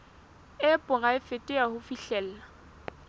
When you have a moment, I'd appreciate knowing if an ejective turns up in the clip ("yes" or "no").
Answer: yes